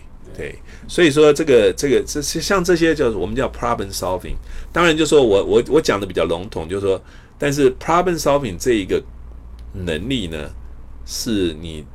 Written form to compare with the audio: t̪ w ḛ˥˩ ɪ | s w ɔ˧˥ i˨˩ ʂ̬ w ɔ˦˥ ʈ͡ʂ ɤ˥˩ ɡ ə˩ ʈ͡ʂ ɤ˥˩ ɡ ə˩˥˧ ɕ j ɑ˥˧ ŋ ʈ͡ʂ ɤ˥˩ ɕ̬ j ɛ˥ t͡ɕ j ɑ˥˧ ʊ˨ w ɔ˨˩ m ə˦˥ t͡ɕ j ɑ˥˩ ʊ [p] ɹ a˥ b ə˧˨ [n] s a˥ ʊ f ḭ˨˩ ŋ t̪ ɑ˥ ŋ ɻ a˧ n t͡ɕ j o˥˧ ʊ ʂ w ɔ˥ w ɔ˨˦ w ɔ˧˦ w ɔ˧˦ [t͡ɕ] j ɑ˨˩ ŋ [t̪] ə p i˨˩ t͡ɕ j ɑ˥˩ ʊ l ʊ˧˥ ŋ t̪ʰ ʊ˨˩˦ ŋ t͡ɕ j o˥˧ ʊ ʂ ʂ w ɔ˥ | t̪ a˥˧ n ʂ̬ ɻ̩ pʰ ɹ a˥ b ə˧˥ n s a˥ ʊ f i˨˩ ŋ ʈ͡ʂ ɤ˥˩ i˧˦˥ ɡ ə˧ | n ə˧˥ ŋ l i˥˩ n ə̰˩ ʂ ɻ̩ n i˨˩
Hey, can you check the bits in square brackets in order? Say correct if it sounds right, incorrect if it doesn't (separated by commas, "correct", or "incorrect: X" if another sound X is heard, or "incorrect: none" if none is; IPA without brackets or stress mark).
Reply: incorrect: pʰ, correct, correct, incorrect: d̪